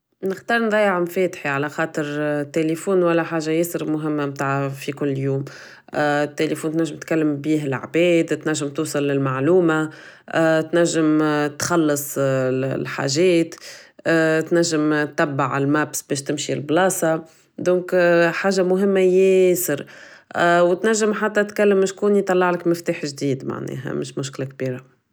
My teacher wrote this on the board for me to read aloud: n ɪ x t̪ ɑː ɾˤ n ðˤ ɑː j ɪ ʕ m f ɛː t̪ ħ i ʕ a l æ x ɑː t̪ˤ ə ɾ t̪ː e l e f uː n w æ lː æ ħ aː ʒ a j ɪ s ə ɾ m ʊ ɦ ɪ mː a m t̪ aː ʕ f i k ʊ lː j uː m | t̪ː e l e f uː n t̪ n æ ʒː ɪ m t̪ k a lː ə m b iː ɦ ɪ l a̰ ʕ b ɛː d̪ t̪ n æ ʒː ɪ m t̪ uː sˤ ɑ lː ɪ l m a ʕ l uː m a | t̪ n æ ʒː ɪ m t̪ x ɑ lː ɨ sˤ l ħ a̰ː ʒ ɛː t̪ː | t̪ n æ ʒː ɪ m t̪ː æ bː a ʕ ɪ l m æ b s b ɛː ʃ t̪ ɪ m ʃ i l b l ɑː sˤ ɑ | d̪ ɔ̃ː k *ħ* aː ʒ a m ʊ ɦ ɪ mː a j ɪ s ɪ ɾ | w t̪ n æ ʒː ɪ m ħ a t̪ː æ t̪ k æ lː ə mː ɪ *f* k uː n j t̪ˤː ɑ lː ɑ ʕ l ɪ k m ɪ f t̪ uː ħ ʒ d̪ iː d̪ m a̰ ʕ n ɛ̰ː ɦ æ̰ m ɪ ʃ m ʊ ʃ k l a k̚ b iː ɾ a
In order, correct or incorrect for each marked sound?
correct, incorrect

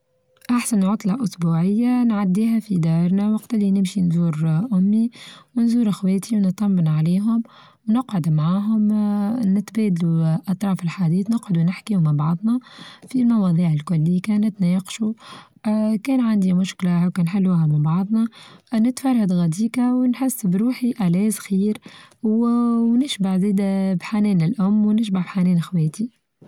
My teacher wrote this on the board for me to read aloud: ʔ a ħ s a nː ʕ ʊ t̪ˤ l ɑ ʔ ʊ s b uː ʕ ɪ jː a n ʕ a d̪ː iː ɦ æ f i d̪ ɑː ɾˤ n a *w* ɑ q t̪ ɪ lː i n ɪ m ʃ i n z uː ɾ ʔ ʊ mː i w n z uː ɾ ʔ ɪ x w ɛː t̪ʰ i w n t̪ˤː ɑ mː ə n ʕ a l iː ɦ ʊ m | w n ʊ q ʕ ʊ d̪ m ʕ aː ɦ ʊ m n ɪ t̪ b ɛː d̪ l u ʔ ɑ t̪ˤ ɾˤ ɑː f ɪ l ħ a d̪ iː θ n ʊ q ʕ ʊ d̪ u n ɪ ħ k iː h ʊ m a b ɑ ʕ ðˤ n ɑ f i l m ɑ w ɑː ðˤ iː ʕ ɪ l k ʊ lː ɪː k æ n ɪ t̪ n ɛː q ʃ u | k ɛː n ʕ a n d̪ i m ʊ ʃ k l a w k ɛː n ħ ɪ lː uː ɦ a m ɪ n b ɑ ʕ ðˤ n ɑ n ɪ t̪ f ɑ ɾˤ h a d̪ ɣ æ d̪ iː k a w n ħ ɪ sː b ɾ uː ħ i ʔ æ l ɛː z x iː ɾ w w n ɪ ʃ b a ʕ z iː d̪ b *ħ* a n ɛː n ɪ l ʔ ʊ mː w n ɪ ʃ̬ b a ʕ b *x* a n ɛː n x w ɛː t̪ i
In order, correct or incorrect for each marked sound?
correct, correct, incorrect

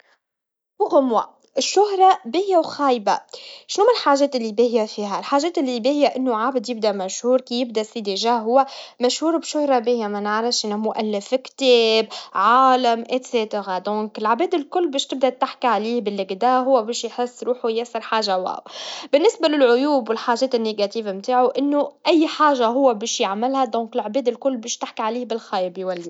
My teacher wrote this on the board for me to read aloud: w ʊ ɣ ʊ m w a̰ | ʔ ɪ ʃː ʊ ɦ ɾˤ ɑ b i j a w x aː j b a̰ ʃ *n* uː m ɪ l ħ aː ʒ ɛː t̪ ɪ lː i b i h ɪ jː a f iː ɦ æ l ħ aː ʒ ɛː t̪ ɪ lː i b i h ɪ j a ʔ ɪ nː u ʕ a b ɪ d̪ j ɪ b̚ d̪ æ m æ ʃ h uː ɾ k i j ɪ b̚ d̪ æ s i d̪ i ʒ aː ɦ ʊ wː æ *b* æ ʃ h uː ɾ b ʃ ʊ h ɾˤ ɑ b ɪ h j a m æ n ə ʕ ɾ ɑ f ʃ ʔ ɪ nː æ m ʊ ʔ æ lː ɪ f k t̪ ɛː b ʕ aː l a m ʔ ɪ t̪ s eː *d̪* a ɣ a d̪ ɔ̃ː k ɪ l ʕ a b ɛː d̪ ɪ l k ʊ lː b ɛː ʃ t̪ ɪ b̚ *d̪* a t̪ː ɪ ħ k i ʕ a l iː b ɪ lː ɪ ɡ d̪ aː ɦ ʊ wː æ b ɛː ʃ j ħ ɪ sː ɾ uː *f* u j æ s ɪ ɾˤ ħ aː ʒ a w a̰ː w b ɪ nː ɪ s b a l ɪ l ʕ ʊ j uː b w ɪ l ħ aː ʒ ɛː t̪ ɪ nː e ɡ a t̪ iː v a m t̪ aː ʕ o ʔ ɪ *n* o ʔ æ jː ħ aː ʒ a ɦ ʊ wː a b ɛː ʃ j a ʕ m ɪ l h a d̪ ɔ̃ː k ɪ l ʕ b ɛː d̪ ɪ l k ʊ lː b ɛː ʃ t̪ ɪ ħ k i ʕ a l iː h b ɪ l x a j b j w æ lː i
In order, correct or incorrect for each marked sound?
correct, incorrect, incorrect, correct, incorrect, incorrect

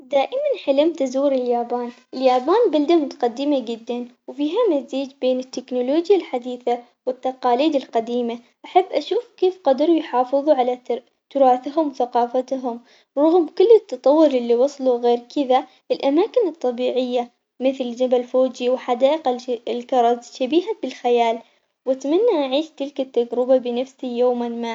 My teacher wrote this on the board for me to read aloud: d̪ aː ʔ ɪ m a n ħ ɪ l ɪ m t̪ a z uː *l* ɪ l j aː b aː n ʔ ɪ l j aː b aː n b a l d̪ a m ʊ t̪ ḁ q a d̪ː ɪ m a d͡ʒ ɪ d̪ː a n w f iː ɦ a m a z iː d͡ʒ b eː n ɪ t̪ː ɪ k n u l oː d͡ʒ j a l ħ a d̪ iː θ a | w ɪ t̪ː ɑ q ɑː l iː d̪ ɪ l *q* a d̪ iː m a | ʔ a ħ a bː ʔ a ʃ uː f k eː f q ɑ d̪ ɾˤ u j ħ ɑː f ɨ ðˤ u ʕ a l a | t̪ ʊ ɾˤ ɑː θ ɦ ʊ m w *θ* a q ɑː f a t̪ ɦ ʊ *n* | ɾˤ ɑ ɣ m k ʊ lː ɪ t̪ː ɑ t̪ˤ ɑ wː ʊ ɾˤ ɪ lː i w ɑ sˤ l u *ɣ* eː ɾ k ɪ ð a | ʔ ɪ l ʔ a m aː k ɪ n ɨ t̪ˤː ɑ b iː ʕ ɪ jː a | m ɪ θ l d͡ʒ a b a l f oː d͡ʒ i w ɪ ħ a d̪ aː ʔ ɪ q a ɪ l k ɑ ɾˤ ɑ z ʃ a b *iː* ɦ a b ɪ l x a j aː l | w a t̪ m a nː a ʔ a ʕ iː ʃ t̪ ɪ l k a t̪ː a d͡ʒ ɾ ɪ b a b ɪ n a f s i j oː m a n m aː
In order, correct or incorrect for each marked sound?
incorrect, correct, correct, incorrect, correct, correct

